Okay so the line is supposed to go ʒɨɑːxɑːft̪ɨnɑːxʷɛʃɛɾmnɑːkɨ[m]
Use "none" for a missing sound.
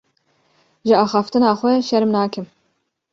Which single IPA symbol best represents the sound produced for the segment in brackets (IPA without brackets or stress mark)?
m